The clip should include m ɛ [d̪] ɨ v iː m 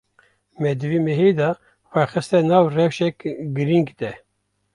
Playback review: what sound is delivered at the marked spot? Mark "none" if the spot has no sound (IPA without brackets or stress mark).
d̪